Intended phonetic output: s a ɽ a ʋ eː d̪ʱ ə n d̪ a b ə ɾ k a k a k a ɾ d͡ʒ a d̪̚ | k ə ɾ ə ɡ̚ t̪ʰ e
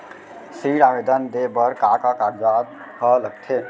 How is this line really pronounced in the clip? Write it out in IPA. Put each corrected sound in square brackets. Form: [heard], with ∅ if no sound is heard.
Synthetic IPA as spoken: s [i] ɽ a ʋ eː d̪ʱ ə n d̪ [e] b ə ɾ k a k a k a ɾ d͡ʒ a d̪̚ | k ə [l] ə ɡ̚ t̪ʰ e